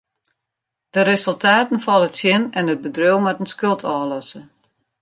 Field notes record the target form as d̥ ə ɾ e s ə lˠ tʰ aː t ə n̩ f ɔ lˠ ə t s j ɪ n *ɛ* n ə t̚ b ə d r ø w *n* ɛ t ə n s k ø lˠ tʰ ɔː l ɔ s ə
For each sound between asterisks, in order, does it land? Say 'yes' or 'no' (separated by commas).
yes, no